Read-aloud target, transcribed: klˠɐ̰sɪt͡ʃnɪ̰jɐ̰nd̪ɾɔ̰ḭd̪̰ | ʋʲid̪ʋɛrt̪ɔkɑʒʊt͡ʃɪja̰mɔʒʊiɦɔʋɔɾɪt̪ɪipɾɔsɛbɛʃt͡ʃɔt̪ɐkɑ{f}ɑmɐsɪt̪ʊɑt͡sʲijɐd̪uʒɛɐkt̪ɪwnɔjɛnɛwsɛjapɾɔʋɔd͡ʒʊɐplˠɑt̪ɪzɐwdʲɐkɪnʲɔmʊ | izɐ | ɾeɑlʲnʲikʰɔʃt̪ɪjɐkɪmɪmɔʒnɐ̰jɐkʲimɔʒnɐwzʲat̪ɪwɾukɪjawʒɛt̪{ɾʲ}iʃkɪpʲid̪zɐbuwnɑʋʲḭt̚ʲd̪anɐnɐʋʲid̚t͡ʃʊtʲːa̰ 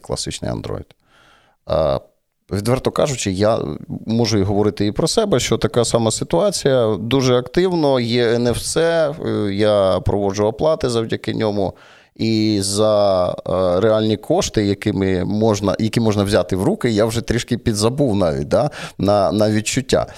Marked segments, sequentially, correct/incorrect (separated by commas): incorrect, correct